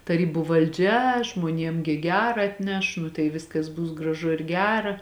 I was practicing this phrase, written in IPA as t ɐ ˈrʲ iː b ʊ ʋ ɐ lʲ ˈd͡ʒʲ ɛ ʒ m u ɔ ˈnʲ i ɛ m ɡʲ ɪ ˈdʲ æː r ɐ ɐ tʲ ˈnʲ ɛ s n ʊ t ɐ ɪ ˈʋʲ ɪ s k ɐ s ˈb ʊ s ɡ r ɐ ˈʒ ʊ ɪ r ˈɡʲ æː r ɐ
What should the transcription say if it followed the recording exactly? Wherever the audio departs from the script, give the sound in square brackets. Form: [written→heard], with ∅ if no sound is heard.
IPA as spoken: t ɐ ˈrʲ iː b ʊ ʋ ɐ lʲ ˈd͡ʒʲ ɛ ʒ m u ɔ ˈnʲ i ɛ m ɡʲ ɪ [ˈdʲ→ˈɡʲ] æː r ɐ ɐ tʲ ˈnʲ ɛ [s→ʃ] n ʊ t ɐ ɪ ˈʋʲ ɪ s k ɐ s ˈb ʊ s ɡ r ɐ ˈʒ ʊ ɪ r ˈɡʲ æː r ɐ